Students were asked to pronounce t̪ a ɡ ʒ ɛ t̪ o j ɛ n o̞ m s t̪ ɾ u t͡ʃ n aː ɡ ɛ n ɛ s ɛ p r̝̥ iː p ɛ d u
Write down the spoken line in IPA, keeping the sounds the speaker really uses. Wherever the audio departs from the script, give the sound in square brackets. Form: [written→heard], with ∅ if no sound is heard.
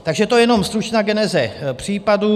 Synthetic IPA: t̪ a ɡ ʒ ɛ t̪ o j ɛ n o̞ m s t̪ ɾ u t͡ʃ n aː ɡ ɛ n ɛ [s→z] ɛ p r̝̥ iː p [ɛ→a] d u